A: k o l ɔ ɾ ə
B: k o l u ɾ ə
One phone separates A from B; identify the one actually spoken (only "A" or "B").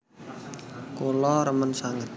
A